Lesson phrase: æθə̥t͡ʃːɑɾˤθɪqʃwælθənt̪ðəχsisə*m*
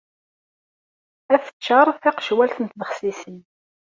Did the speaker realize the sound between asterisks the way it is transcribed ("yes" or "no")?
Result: no